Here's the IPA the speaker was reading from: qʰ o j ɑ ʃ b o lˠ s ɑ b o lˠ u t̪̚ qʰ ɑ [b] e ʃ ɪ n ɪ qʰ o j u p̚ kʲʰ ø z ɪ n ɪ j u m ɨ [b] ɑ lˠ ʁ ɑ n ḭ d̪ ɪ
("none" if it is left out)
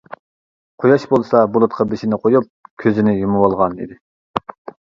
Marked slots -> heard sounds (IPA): b, w

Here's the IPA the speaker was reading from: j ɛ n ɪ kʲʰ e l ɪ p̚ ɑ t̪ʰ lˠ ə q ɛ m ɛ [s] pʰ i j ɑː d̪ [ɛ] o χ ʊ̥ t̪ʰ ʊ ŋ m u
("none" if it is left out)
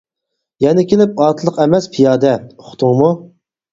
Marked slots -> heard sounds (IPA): s, ɛ

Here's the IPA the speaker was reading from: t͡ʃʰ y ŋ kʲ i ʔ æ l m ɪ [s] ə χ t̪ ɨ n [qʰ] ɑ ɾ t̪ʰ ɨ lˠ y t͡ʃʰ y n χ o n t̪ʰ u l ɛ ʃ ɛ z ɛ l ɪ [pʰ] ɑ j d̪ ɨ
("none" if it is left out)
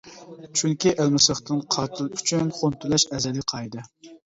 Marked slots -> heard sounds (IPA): s, qʰ, qʰ

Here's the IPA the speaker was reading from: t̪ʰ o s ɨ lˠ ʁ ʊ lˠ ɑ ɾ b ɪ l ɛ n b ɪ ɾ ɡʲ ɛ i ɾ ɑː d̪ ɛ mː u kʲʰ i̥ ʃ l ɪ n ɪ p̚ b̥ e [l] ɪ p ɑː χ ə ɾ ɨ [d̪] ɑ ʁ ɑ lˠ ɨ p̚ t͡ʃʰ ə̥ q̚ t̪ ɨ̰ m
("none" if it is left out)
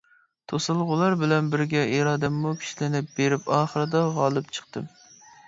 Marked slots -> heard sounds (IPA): ɾ, d̪

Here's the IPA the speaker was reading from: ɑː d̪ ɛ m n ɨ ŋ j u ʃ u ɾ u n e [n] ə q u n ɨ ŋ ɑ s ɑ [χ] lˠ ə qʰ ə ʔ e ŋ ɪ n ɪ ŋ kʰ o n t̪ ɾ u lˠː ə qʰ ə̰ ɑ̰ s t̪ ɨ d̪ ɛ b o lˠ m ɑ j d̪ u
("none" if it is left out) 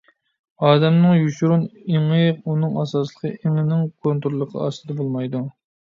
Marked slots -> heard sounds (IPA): ŋ, s

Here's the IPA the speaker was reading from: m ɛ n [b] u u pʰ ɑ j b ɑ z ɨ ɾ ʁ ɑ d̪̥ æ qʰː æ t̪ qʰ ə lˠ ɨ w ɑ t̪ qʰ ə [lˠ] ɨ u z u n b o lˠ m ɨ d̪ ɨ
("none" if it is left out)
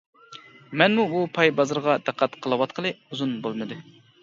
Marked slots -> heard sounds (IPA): m, lˠ

